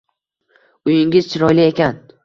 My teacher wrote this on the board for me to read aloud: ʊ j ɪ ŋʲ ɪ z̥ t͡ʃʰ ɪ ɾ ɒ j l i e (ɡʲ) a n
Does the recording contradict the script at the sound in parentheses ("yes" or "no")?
yes